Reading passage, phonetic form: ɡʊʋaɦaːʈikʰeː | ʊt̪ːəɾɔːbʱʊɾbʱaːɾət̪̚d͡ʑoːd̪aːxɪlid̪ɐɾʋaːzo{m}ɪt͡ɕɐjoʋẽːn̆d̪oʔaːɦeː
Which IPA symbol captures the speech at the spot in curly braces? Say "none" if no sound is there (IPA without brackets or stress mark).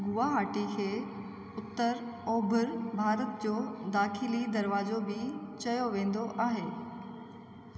b